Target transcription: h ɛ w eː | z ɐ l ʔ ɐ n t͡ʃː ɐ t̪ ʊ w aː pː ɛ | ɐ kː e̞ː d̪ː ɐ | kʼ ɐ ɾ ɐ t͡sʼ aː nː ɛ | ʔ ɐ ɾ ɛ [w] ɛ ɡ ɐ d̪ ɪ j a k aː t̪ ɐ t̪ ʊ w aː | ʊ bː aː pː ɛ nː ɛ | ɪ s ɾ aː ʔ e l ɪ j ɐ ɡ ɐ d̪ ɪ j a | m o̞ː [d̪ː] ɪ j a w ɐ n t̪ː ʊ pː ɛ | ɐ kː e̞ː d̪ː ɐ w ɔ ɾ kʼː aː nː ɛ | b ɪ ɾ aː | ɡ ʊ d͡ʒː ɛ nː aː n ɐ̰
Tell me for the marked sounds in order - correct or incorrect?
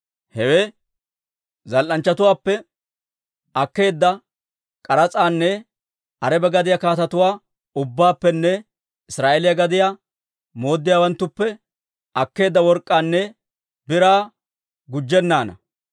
incorrect, correct

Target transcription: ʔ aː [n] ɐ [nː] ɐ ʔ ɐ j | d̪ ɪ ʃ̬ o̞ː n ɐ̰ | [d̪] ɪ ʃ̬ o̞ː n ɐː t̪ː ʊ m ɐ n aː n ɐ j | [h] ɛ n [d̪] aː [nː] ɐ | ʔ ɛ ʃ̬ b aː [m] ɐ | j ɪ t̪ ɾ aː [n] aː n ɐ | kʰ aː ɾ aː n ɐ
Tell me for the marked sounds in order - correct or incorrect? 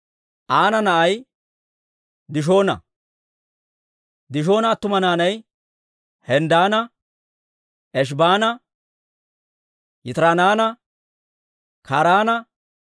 correct, incorrect, correct, correct, correct, incorrect, incorrect, correct

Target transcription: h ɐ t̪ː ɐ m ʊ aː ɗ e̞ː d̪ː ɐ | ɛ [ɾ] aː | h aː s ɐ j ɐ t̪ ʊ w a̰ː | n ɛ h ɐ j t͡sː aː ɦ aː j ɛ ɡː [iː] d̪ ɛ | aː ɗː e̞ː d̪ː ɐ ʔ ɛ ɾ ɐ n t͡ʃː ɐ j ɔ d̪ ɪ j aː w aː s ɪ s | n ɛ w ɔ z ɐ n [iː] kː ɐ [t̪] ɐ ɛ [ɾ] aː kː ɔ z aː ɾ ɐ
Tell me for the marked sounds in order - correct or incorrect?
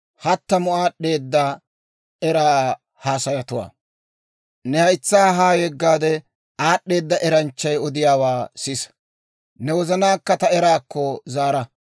correct, incorrect, incorrect, correct, correct

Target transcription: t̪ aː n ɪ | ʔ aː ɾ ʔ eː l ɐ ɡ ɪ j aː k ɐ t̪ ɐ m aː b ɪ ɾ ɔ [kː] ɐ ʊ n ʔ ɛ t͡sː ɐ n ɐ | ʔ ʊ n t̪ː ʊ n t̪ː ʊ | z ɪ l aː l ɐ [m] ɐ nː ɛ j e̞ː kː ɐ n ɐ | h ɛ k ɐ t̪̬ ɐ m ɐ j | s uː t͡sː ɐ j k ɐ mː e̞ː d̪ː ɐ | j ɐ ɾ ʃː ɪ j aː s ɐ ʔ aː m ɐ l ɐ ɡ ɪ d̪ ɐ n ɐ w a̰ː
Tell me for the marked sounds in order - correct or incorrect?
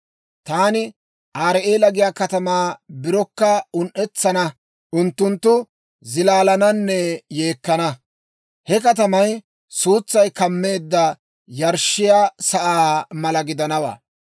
correct, incorrect

